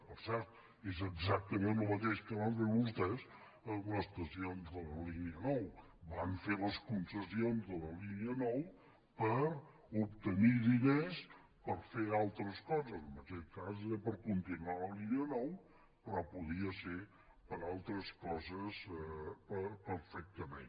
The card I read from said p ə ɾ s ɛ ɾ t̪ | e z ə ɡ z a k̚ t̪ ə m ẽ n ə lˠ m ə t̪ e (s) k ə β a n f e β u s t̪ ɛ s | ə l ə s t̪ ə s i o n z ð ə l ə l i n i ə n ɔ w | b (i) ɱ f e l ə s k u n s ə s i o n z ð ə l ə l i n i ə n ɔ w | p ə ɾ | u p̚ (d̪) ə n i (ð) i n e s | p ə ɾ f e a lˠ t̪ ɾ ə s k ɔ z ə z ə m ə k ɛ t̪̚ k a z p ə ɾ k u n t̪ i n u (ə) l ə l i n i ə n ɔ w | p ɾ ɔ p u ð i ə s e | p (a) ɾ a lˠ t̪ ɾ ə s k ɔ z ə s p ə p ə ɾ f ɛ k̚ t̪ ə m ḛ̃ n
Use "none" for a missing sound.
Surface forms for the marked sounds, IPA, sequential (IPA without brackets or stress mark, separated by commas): ʃ, a, t̪, ð, a, ə